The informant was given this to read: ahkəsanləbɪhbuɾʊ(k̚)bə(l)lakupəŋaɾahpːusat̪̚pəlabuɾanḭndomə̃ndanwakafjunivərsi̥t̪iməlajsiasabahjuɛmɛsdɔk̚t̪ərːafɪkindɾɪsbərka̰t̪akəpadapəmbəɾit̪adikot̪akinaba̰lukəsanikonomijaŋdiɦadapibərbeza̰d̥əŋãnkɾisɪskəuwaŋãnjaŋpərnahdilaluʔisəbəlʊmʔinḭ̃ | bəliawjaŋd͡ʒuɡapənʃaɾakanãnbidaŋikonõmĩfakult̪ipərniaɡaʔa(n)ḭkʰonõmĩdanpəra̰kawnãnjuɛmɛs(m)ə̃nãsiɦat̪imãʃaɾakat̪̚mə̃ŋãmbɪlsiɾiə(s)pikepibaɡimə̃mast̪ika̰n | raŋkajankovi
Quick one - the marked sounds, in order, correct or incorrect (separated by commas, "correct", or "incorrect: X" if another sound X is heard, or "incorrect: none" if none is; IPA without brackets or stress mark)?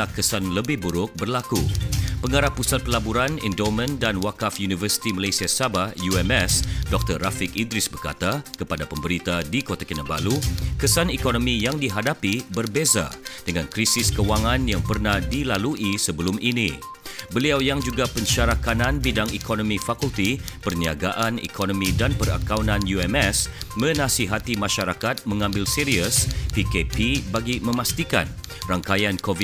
correct, incorrect: r, correct, correct, correct